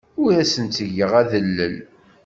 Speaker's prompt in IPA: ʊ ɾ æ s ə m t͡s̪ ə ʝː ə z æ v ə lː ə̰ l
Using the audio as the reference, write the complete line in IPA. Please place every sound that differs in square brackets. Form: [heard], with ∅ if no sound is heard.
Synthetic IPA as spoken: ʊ ɾ æ s ə [n] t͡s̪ ə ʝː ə [ʁ] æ [ð] ə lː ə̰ l